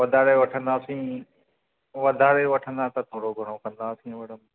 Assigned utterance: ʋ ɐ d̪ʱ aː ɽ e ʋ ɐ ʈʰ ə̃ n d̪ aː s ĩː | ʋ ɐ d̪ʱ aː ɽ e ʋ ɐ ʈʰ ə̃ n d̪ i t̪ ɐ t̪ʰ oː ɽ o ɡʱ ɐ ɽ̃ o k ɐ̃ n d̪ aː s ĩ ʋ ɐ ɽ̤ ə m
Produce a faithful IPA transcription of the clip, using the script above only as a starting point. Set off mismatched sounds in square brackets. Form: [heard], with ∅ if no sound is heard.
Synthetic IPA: ʋ ɐ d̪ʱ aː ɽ e ʋ ɐ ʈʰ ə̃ n d̪ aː s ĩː | ʋ ɐ d̪ʱ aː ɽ e ʋ ɐ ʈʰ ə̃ n d̪ [a] t̪ ɐ t̪ʰ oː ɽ o ɡʱ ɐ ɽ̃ o k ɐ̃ n d̪ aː s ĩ ʋ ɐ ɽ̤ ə m

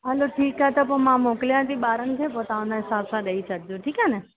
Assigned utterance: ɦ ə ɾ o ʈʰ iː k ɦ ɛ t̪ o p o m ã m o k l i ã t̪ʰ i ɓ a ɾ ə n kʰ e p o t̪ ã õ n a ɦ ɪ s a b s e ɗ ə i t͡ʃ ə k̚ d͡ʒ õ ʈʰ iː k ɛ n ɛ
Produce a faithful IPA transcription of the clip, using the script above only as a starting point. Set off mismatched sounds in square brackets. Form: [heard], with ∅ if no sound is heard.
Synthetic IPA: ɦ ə [l] o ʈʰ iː k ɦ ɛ t̪ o p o m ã m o k l [j] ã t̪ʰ i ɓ a ɾ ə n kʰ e p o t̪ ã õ n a ɦ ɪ s a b s [a] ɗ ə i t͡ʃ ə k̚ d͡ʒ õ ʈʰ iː k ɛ n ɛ

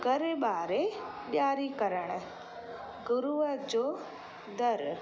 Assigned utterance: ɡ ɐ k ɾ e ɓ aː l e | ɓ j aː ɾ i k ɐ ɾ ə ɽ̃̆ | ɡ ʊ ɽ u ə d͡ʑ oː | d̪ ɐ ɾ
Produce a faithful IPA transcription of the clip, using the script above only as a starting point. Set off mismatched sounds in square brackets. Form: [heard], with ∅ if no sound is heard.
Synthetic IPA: ɡ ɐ [∅] ɾ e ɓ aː [ɾ] e | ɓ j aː ɾ i k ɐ ɾ ə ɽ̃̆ | ɡ ʊ [ɾ] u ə d͡ʑ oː | d̪ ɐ ɾ

